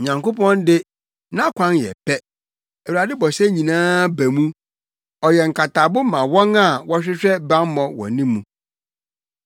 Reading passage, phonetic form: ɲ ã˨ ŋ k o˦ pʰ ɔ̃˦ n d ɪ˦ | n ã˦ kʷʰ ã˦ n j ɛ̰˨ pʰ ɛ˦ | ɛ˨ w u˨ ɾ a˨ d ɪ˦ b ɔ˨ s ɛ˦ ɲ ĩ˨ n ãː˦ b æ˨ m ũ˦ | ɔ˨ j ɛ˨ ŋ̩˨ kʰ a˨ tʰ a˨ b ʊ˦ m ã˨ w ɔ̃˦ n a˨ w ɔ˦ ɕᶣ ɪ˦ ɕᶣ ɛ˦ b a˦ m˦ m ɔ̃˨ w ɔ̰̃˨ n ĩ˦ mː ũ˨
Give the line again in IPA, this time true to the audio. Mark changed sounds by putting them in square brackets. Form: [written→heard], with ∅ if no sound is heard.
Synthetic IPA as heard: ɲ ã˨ ŋ k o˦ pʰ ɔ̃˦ n d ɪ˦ | n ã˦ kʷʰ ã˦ n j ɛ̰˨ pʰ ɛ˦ | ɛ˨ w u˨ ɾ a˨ d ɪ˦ b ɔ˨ s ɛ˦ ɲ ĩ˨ n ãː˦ b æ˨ m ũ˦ | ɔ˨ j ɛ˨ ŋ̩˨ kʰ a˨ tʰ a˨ b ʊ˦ m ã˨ w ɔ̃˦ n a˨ w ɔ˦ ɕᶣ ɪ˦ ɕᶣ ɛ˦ b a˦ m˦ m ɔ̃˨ w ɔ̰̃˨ n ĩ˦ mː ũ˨